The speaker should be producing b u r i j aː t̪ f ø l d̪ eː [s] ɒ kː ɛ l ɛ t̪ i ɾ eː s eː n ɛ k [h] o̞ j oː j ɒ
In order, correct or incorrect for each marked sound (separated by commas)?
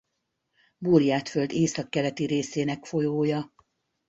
correct, incorrect